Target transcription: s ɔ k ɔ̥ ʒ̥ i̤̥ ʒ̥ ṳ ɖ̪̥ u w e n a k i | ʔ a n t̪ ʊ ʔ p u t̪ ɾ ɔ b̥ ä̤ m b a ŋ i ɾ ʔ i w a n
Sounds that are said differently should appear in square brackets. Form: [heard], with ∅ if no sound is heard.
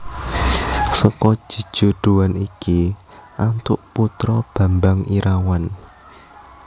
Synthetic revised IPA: s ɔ k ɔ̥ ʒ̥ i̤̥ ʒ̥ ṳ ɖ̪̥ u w [a] n [i] k i | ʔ a n t̪ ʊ ʔ p u t̪ ɾ ɔ b̥ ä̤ m b a ŋ i ɾ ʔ [a] w a n